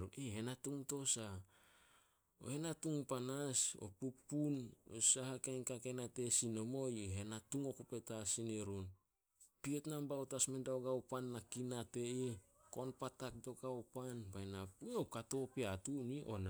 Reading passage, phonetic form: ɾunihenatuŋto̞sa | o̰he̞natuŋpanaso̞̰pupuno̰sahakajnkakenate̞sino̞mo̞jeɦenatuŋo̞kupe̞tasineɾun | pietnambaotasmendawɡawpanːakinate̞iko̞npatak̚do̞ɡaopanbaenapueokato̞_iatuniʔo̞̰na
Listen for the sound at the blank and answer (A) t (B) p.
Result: B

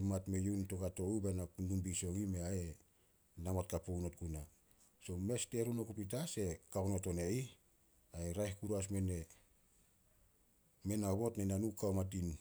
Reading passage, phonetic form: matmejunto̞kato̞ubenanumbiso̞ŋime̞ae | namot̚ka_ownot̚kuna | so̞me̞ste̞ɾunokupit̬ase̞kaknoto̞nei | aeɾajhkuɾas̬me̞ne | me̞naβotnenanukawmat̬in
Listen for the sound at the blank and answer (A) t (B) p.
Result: B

